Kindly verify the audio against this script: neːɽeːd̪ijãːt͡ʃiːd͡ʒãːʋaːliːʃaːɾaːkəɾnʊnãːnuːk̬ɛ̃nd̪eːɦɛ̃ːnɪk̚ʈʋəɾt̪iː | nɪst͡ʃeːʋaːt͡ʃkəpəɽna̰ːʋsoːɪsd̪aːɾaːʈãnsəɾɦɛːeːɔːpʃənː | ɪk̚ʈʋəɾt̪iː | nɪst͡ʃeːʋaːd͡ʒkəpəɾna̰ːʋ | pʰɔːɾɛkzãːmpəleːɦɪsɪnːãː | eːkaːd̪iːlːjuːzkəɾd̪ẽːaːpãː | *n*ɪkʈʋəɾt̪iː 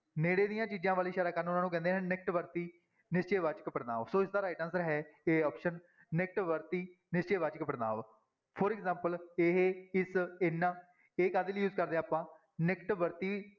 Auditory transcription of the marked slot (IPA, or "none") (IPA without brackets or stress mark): n